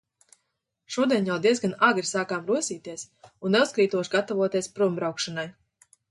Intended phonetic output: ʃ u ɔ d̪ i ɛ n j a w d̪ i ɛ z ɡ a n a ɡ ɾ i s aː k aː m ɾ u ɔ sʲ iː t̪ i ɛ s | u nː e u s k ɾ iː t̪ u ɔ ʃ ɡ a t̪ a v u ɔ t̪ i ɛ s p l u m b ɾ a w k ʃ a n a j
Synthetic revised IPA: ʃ u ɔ d̪ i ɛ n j a w d̪ i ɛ z ɡ a n a ɡ ɾ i s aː k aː m ɾ u ɔ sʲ iː t̪ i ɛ s | u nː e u s k ɾ iː t̪ u ɔ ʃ ɡ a t̪ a v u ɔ t̪ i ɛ s p ɾ u m b ɾ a w k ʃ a n a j